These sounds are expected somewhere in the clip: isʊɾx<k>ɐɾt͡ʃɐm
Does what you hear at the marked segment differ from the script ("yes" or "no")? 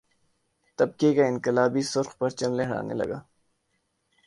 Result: yes